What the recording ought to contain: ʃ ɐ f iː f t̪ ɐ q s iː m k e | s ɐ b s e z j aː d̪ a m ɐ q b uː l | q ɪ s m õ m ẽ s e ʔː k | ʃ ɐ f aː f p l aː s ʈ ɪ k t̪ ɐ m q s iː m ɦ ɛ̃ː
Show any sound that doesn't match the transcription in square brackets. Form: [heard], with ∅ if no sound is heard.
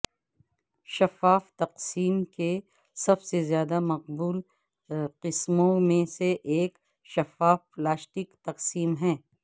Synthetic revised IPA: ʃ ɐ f [aː] f t̪ ɐ q s iː m k e | s ɐ b s e z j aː d̪ a m ɐ q b uː l | q ɪ s m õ m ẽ s e ʔː k | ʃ ɐ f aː f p l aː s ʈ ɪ k t̪ ɐ [∅] q s iː m ɦ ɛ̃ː